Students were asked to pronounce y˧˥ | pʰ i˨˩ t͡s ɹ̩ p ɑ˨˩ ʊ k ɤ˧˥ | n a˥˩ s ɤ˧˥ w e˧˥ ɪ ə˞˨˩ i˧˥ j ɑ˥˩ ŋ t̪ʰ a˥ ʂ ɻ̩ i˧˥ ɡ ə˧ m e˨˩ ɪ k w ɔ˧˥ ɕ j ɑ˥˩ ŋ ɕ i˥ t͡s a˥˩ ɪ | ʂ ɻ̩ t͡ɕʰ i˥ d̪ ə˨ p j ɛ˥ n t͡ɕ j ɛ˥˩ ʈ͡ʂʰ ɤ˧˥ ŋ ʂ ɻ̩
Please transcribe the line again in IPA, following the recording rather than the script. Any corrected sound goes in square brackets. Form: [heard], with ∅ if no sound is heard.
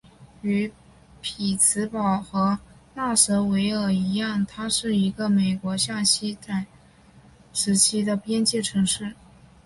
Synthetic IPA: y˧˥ | pʰ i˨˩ [t͡sʰ] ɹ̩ p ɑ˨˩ ʊ [x] ɤ˧˥ | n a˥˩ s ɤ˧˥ w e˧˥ ɪ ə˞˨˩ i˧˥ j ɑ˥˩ ŋ t̪ʰ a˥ ʂ ɻ̩ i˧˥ ɡ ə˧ m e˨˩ ɪ k w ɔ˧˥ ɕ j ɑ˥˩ ŋ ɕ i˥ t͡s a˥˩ ɪ | ʂ ɻ̩ t͡ɕʰ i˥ d̪ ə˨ p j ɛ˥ n t͡ɕ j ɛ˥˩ ʈ͡ʂʰ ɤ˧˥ ŋ ʂ ɻ̩